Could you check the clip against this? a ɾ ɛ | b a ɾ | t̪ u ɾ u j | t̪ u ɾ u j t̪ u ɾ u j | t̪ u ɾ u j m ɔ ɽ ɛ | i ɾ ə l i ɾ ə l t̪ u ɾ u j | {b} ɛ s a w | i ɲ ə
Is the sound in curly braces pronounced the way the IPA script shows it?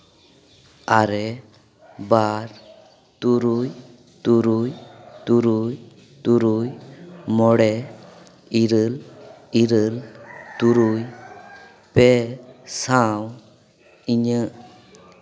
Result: no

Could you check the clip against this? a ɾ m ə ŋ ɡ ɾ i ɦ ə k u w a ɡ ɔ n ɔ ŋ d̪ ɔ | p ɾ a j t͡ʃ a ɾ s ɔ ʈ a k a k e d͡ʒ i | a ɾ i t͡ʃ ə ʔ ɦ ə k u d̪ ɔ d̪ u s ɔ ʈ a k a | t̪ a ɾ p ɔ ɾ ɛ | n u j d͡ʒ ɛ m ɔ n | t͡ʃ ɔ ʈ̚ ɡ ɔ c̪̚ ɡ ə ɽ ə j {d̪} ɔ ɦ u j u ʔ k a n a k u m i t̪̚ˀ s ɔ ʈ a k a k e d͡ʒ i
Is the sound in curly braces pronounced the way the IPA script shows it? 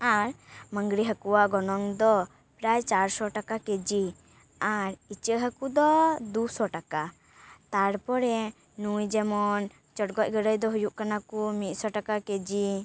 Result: yes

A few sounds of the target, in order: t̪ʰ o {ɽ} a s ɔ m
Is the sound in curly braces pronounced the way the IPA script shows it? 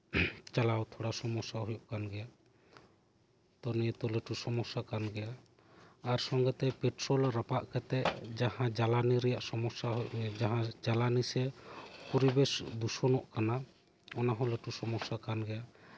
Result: yes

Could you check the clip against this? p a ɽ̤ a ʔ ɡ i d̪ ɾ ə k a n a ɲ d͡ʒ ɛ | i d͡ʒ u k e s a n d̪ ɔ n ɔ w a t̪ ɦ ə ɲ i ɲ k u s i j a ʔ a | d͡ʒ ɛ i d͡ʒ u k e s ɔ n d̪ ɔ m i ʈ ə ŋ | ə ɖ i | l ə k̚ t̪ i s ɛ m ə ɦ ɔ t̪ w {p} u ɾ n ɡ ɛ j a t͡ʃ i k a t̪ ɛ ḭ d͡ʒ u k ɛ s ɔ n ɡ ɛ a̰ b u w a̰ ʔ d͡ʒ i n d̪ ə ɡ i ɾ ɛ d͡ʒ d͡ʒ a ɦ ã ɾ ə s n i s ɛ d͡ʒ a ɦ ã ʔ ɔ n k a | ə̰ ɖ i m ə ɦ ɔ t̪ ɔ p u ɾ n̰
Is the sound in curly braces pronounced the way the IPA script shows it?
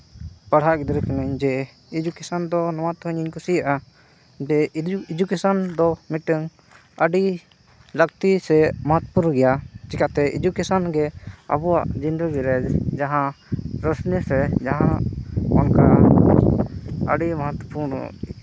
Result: yes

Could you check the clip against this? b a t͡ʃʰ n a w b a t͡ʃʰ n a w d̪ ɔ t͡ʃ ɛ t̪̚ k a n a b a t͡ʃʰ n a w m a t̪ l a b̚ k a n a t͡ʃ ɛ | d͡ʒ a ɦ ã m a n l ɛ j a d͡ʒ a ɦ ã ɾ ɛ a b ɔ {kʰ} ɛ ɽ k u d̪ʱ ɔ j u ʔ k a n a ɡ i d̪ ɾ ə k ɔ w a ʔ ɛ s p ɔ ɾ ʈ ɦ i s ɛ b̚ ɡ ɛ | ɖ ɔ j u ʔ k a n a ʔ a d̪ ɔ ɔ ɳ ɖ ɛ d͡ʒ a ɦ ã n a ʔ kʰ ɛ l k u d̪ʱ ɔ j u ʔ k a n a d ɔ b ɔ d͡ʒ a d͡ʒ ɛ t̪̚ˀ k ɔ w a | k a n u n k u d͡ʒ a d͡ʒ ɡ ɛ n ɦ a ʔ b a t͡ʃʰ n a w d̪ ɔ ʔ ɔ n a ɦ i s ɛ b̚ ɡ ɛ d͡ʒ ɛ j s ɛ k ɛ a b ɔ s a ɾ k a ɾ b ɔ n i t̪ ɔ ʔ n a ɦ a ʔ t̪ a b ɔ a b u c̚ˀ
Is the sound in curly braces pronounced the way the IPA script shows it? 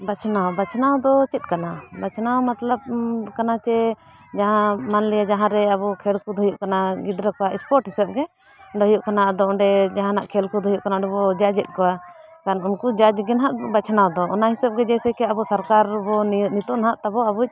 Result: yes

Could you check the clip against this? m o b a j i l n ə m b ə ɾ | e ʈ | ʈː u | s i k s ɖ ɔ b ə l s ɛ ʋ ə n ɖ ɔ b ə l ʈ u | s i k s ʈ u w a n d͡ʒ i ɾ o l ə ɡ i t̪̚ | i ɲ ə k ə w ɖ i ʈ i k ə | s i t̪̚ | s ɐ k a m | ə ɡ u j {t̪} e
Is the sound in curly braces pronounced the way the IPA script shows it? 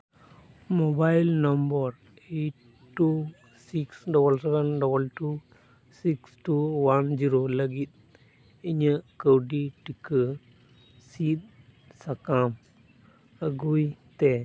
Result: yes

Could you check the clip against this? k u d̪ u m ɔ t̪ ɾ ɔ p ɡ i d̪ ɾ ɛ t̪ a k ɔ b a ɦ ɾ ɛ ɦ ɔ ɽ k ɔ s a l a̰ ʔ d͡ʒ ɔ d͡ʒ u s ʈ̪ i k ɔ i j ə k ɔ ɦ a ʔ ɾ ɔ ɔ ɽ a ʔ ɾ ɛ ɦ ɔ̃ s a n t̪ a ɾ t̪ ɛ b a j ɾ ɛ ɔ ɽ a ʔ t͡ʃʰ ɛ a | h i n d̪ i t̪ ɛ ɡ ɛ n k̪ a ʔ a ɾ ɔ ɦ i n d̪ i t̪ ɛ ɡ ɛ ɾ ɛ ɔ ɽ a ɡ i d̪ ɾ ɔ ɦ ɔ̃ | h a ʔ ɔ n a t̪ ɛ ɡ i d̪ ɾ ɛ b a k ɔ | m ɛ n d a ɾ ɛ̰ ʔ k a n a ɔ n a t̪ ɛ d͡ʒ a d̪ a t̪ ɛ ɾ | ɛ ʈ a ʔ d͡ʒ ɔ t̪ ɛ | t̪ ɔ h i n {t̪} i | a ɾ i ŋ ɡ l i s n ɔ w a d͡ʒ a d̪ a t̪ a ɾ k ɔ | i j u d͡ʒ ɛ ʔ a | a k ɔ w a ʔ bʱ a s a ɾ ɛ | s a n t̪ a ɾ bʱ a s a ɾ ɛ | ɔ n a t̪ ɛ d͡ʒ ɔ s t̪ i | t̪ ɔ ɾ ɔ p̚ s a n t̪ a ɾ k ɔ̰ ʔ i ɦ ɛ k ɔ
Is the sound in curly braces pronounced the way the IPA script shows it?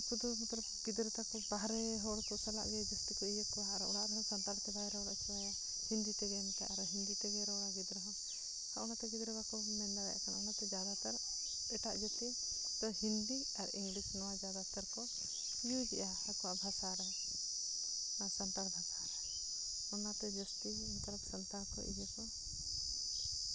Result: no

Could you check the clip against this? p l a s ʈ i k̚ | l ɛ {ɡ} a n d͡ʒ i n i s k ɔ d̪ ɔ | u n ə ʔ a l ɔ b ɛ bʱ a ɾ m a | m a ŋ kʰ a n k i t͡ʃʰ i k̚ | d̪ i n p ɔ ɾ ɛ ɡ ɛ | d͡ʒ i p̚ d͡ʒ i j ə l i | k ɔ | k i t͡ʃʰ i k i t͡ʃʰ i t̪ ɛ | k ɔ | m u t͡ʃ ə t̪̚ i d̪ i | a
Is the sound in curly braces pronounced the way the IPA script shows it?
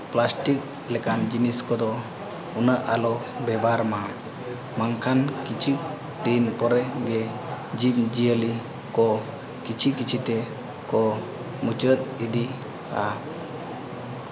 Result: no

